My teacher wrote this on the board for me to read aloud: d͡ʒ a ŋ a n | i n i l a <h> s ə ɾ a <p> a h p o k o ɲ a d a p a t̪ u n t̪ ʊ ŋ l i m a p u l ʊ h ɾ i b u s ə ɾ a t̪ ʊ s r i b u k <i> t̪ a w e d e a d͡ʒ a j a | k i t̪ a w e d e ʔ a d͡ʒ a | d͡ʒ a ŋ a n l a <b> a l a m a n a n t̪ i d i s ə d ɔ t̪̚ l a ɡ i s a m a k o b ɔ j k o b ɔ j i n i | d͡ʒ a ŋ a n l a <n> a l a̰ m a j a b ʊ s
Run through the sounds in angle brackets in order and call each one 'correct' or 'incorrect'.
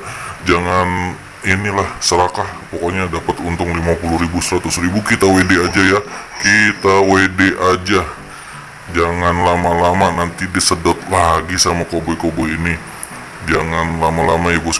correct, incorrect: k, correct, incorrect: m, incorrect: m

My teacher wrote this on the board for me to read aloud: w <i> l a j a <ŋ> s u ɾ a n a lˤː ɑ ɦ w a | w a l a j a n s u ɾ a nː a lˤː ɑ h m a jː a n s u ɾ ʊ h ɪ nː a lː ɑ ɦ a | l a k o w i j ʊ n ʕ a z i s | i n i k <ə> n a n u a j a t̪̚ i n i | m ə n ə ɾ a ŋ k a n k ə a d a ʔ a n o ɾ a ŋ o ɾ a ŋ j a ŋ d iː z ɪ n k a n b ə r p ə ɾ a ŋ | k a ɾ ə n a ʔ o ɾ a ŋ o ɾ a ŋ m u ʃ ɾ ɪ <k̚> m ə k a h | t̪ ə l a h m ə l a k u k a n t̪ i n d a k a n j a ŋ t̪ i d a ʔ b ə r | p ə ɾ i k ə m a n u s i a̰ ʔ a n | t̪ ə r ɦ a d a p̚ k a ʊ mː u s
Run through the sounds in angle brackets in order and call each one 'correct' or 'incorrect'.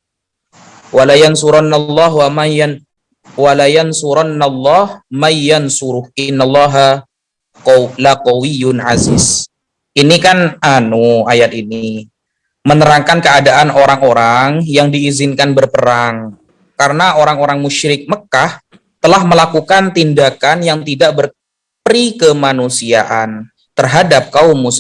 incorrect: a, incorrect: n, incorrect: a, correct

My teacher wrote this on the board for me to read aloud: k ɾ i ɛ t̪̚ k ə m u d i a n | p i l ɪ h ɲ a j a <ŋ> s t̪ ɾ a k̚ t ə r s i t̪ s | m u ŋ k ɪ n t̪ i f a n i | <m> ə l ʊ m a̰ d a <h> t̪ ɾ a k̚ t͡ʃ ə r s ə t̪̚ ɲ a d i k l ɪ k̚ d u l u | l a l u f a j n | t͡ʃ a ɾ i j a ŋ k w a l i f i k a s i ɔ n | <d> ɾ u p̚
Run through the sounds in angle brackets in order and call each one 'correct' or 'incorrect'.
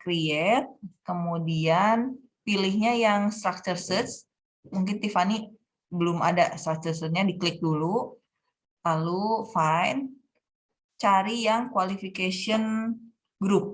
correct, incorrect: b, incorrect: s, incorrect: ɡ

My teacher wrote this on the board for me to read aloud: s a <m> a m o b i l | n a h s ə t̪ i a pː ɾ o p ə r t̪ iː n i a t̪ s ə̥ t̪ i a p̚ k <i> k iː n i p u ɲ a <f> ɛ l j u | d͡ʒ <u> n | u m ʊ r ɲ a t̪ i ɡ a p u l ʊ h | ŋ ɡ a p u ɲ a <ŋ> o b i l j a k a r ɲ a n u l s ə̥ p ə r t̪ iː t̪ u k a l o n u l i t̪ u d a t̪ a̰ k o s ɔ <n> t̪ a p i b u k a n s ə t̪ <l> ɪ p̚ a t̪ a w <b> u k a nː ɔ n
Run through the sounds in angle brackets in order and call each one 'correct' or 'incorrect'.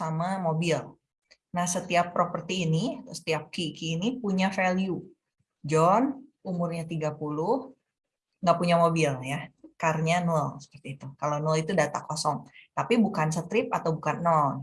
correct, correct, correct, incorrect: ɔ, incorrect: m, incorrect: ŋ, incorrect: ɾ, correct

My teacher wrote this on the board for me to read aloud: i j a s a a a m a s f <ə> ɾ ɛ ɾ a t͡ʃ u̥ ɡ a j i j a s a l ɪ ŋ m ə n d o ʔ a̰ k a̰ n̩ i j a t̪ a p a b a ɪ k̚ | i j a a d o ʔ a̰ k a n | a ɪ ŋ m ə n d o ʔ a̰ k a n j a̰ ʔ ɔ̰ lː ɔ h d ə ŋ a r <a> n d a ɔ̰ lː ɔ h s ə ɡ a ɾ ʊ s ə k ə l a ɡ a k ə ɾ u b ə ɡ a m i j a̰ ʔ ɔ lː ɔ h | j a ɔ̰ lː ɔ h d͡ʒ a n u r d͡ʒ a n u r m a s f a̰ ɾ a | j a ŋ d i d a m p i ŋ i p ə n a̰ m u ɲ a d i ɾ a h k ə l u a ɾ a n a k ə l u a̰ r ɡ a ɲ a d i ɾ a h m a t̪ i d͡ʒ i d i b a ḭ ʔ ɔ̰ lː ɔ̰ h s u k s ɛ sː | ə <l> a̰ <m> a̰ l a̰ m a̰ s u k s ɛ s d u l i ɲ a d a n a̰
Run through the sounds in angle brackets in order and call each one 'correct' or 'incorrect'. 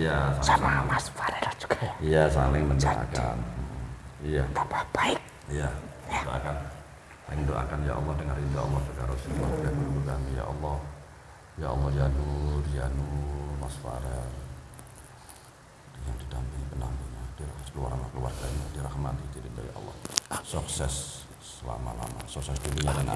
incorrect: a, incorrect: i, correct, correct

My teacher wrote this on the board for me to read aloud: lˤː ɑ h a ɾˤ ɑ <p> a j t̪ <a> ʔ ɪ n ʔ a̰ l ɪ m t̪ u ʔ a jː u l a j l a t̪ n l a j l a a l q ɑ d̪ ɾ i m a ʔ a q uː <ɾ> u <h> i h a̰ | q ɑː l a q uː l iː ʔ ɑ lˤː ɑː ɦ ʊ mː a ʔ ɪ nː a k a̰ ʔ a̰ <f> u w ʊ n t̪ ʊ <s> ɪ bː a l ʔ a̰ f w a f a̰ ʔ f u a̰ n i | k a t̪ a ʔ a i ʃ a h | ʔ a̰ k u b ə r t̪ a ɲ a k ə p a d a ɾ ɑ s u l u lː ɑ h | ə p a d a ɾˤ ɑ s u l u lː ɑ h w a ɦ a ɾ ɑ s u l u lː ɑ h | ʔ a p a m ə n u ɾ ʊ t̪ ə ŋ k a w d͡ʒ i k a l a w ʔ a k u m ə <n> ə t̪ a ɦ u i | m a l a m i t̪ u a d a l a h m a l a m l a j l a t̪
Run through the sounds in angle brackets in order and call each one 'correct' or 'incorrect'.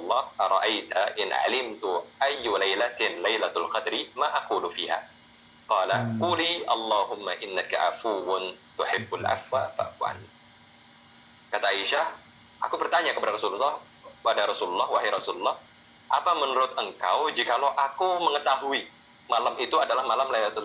incorrect: ʔ, correct, incorrect: l, incorrect: f, correct, incorrect: ħ, incorrect: ŋ

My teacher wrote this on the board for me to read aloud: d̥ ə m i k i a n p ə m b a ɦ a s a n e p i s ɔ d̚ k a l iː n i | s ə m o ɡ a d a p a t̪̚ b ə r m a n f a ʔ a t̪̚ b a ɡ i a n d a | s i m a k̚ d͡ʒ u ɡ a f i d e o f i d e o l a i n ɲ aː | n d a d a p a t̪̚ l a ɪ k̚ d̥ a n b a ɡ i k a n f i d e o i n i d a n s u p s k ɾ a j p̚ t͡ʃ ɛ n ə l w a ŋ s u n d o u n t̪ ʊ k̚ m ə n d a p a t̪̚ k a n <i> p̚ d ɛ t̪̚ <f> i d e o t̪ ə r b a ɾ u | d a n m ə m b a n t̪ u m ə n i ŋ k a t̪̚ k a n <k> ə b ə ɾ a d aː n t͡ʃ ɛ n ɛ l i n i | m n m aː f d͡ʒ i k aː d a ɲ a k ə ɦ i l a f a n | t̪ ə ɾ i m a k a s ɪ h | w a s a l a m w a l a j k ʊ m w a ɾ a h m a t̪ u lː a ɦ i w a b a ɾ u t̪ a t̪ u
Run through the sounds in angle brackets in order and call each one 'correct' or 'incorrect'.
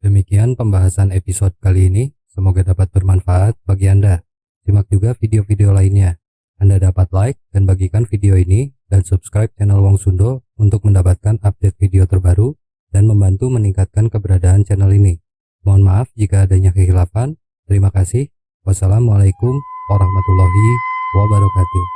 incorrect: a, correct, correct

